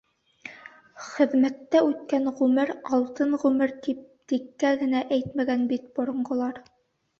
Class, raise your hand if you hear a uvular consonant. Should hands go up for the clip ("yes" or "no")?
yes